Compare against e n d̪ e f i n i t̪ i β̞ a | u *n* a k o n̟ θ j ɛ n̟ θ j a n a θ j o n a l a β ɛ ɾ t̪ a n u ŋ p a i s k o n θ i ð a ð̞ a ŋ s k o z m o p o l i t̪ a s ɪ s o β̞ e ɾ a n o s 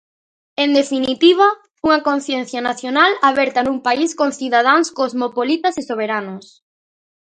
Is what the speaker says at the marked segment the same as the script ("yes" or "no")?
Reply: no